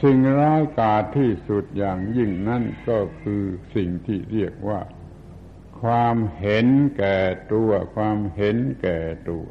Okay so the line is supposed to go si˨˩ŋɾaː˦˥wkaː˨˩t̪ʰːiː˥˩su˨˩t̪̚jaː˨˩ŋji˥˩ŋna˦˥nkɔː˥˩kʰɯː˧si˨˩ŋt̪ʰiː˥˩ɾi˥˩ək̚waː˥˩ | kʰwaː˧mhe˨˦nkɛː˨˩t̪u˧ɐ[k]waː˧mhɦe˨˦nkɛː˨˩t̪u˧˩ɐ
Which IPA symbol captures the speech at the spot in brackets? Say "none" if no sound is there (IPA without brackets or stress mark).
kʰ